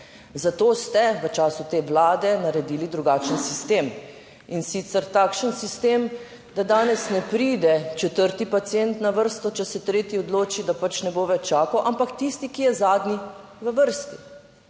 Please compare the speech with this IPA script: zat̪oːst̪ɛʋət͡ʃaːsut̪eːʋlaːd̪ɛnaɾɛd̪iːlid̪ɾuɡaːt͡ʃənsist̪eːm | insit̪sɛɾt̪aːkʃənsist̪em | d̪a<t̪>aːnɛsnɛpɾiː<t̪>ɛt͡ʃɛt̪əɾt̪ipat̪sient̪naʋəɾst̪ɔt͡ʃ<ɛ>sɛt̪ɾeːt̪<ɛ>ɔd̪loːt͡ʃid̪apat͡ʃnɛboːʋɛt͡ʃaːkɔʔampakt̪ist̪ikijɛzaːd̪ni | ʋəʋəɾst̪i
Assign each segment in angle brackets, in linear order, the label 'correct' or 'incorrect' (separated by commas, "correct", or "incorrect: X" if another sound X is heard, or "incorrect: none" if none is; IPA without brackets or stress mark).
incorrect: d̪, incorrect: d̪, correct, incorrect: i